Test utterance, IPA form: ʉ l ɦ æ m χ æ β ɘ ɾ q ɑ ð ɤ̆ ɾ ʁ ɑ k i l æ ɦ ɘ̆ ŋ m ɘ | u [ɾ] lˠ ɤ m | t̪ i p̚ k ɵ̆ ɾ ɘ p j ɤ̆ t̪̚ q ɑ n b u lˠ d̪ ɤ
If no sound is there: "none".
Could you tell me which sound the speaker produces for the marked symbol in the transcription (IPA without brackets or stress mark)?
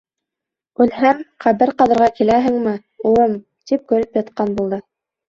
none